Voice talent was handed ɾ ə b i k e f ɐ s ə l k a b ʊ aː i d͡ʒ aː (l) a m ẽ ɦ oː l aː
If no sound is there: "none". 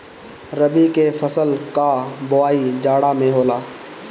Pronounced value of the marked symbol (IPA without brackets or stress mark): ɽ